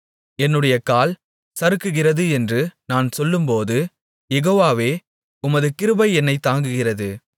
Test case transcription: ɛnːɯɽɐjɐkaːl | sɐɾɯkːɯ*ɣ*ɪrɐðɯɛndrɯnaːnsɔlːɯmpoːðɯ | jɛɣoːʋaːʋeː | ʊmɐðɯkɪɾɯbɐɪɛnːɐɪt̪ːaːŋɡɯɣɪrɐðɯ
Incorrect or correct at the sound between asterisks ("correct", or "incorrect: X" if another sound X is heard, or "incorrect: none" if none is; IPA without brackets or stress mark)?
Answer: correct